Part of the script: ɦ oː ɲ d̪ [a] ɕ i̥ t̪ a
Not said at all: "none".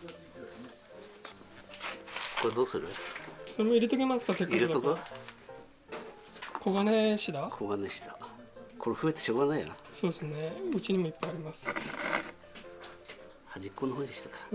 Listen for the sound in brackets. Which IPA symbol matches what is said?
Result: e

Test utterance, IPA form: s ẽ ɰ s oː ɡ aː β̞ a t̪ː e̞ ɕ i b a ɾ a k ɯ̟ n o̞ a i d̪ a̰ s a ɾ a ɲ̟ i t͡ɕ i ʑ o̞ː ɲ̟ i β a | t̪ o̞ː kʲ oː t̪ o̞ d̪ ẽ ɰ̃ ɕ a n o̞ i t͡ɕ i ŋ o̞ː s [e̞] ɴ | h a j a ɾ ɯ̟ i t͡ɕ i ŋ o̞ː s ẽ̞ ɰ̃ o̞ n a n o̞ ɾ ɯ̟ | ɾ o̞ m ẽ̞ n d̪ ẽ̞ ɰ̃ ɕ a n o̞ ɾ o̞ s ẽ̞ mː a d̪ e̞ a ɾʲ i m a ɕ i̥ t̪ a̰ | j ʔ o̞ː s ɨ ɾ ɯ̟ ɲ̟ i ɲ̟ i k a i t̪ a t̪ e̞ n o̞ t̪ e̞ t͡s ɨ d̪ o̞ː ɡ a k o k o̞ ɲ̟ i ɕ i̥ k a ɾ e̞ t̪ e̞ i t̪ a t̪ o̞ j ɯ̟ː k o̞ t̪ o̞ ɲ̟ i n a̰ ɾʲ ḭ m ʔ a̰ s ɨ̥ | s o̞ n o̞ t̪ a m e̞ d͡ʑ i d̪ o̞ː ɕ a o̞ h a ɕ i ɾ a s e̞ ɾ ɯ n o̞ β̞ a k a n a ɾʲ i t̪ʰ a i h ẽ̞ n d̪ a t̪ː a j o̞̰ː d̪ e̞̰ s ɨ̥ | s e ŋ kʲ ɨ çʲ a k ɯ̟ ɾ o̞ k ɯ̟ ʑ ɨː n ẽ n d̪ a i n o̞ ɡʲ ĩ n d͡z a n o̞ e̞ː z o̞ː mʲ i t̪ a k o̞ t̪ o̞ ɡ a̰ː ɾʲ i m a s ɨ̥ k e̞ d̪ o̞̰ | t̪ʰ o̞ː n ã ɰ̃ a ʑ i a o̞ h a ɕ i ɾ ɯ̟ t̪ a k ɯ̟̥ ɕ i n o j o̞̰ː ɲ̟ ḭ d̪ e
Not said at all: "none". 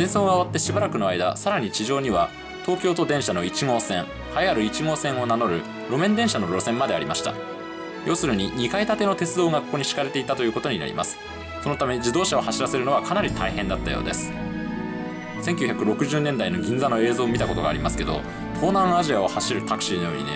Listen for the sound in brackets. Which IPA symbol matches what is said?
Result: ẽ̞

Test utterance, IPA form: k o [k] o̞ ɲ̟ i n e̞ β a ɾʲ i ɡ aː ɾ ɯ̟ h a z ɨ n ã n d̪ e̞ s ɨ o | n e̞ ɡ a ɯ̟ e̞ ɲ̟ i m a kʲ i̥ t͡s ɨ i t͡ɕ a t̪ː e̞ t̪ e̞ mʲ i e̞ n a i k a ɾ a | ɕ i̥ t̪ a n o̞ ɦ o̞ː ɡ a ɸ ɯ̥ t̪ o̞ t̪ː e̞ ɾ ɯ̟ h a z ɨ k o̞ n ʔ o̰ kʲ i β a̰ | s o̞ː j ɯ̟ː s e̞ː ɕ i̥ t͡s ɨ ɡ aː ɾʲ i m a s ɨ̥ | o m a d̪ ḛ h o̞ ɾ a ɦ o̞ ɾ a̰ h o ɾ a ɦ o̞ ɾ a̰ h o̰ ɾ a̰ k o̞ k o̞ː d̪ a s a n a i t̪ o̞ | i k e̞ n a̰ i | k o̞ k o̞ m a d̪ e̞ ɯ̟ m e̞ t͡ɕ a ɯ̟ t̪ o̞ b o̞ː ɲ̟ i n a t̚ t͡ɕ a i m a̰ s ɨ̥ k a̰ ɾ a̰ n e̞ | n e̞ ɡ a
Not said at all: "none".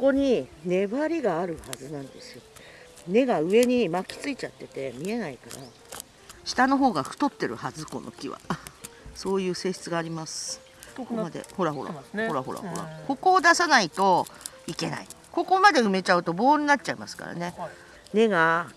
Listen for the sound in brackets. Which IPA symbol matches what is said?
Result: k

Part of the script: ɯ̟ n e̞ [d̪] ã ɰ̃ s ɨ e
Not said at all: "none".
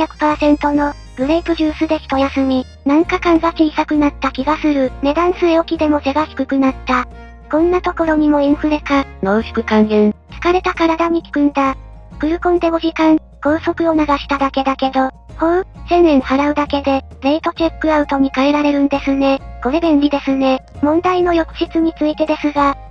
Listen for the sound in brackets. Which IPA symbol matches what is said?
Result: d̪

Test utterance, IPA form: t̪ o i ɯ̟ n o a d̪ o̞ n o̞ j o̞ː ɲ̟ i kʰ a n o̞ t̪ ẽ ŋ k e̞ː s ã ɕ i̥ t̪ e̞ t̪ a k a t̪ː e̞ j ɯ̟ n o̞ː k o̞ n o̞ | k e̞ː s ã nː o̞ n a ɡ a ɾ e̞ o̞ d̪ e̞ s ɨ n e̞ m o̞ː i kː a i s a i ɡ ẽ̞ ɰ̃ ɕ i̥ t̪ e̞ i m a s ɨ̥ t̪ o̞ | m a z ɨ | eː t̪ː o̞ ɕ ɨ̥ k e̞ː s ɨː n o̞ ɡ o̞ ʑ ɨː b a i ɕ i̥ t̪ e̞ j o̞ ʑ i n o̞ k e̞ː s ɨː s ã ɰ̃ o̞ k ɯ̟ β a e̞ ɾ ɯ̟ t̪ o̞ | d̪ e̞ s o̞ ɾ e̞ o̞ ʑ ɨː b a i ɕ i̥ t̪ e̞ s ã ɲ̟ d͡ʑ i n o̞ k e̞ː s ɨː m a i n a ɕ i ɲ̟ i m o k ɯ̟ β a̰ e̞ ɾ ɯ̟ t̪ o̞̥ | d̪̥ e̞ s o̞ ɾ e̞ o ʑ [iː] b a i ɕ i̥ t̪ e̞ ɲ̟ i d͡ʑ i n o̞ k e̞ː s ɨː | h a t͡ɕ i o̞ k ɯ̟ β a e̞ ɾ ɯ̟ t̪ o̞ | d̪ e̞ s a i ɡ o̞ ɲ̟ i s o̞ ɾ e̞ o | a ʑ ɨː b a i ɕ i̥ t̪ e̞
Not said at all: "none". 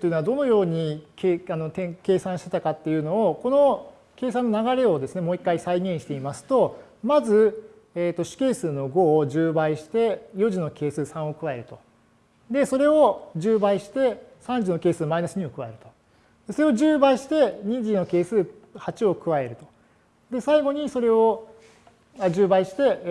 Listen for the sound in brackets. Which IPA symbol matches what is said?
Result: ɨː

